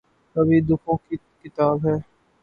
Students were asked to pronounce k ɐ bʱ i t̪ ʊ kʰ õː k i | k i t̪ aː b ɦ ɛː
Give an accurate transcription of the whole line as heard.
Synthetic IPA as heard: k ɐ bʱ i d̪ ʊ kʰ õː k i | k ɪ t̪ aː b ɦ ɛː